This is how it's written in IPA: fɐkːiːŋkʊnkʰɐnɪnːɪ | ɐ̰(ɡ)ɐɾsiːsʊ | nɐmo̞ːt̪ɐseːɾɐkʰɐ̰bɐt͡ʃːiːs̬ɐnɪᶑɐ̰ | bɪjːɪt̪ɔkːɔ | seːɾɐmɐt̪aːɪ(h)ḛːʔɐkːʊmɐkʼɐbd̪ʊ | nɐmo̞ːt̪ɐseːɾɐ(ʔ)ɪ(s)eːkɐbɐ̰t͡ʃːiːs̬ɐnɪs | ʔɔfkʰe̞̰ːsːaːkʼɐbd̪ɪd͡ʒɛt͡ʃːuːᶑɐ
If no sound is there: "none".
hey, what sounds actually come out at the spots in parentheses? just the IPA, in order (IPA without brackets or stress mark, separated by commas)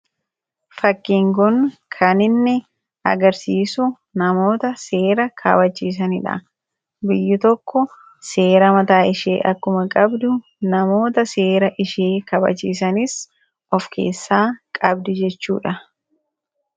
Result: ɡ, ʃ, ʔ, ʃ